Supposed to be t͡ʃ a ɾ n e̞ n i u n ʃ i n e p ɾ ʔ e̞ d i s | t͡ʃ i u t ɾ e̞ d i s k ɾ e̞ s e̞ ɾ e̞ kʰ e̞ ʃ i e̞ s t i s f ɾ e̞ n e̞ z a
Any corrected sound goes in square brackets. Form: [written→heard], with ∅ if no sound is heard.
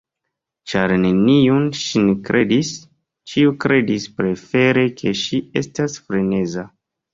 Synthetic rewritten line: t͡ʃ a ɾ n e̞ n i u n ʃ i n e [p→k] ɾ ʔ e̞ d i s | t͡ʃ i u [t→k] ɾ e̞ d i s [k→p] ɾ e̞ [s→f] e̞ ɾ e̞ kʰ e̞ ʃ i e̞ s t [i→a] s f ɾ e̞ n e̞ z a